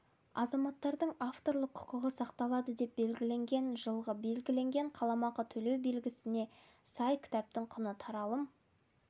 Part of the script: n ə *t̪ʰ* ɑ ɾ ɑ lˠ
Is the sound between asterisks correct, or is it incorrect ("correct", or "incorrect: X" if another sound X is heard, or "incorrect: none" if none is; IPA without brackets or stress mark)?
correct